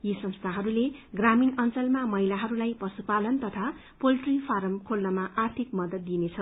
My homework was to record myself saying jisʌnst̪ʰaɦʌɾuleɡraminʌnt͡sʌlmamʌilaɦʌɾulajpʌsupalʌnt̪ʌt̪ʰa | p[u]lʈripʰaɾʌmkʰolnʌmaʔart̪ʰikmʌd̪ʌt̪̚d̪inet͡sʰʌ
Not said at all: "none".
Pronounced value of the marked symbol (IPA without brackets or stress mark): o